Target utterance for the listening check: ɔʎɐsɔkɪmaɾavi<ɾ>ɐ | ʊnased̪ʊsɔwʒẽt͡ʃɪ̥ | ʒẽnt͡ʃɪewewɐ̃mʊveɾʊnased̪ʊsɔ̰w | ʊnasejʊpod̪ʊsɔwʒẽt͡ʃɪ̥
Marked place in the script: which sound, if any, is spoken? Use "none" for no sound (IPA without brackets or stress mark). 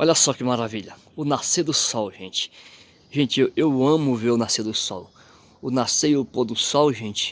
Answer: ʎ